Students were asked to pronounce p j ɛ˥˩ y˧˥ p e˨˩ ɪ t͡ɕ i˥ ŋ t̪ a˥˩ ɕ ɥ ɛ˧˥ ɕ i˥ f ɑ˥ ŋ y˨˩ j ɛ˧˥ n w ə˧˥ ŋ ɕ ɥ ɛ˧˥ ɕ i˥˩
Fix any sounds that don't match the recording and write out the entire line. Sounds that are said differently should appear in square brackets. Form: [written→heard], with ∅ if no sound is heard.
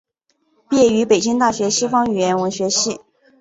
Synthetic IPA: p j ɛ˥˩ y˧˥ p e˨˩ ɪ t͡ɕ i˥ ŋ t̪ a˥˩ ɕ ɥ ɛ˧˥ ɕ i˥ f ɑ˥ ŋ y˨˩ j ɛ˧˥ n w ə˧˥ ŋ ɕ ɥ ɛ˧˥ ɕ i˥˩